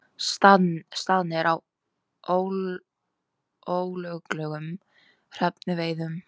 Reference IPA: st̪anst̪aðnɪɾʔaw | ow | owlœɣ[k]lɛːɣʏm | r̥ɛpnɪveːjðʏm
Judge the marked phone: correct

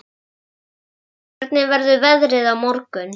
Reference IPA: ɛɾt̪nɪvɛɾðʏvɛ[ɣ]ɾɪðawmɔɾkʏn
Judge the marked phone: incorrect: ð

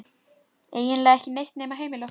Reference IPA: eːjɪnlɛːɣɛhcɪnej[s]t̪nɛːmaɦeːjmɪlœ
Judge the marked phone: incorrect: h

